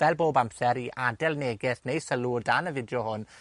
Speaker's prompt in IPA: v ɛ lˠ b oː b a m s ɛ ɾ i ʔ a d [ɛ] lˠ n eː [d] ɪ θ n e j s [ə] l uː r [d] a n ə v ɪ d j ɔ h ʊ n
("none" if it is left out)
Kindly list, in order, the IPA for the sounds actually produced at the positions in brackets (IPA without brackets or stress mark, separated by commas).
ɛ, ɡ, ə, d